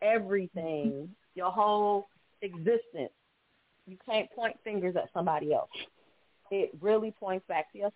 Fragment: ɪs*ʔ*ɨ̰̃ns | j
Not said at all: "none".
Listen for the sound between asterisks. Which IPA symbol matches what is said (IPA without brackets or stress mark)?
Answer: t